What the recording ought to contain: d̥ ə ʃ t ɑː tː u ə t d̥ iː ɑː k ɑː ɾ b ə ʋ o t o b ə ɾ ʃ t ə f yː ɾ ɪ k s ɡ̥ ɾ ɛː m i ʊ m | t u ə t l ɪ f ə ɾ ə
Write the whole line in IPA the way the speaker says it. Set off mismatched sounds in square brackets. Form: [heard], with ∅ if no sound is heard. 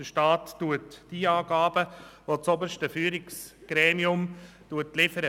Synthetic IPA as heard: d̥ ə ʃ t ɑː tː u ə t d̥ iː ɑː [ɡ] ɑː [∅] b ə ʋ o [t͡s] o b ə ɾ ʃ t ə f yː ɾ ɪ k s ɡ̥ ɾ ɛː m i ʊ m | t u ə t l ɪ f ə ɾ ə